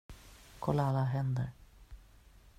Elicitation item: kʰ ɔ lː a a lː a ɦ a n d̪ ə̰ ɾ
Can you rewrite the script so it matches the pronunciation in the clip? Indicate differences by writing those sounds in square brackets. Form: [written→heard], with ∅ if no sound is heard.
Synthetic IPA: kʰ ɔ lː a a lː a ɦ [a→ɛ] n d̪ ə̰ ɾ